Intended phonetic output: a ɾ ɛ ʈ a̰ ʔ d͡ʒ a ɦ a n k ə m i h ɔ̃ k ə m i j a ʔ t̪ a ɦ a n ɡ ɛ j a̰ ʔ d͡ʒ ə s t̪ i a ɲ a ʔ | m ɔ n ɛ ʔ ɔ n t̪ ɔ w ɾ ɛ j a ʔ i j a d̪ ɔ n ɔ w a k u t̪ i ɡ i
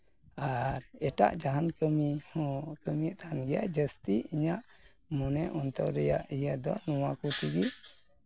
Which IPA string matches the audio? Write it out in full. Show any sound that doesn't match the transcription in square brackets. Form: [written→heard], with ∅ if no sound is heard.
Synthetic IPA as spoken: a ɾ ɛ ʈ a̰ ʔ d͡ʒ a ɦ a n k ə m i h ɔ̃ k ə m i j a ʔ t̪ a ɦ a n ɡ ɛ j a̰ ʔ d͡ʒ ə s t̪ i [a→i] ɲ a ʔ | m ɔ n ɛ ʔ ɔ n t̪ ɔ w ɾ ɛ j a ʔ i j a d̪ ɔ n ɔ w a k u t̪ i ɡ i